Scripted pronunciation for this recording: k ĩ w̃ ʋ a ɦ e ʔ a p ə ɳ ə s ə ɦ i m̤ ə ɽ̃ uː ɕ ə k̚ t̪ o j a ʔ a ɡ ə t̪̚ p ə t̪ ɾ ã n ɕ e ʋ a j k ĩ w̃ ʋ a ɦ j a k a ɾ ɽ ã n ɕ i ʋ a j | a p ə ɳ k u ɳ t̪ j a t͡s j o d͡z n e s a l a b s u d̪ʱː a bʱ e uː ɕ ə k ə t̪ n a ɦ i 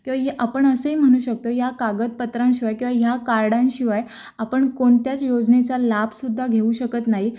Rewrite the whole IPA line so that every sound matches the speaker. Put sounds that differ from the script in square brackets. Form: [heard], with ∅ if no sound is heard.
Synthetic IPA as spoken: k ĩ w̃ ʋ a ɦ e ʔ a p ə ɳ ə s ə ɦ i m̤ ə ɽ̃ uː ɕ ə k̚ t̪ o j a [k] a ɡ ə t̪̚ p ə t̪ ɾ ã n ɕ [i] ʋ a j k ĩ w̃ ʋ a ɦ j a k a ɾ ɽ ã n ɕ i ʋ a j | a p ə ɳ k [o] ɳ t̪ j a t͡s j o d͡z n e [t͡s] a l a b s u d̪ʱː a [ɡʱ] e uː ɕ ə k ə t̪ n a ɦ i